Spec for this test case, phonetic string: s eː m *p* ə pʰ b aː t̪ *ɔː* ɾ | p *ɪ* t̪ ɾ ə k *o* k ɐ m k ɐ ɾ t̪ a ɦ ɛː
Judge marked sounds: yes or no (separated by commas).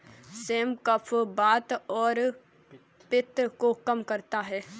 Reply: no, yes, yes, yes